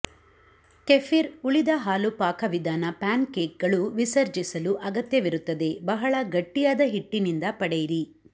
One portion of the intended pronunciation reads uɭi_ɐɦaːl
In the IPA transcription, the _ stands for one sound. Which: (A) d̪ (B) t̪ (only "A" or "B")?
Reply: A